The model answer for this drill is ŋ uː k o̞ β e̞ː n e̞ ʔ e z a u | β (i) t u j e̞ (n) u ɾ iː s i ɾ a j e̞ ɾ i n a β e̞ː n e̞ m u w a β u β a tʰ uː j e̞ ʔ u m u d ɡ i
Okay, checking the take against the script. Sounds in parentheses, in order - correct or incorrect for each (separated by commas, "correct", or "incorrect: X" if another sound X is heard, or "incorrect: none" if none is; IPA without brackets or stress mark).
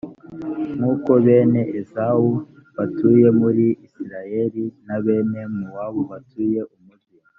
incorrect: a, incorrect: m